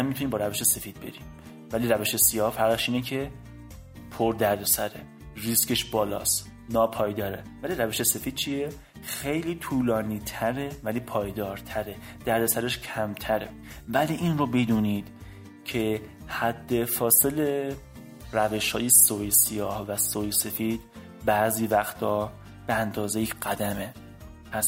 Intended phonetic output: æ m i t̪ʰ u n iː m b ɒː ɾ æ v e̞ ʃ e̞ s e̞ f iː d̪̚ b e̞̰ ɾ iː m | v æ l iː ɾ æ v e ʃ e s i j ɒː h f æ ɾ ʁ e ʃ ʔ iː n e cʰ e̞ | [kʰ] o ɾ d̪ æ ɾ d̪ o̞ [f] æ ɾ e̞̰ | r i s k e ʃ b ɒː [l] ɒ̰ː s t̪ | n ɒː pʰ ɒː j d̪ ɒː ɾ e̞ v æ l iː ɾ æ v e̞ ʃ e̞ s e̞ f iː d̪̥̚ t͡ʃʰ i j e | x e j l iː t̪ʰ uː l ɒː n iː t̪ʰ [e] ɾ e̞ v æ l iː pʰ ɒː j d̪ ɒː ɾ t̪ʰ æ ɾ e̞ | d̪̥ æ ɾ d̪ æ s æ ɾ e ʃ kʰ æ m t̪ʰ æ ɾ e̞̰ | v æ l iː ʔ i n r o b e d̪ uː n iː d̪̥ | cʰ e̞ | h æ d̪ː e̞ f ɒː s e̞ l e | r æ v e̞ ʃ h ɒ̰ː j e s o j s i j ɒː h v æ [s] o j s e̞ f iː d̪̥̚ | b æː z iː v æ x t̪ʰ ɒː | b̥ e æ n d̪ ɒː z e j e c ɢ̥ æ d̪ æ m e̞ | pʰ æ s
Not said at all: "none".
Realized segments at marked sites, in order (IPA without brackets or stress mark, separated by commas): pʰ, s, l, æ, s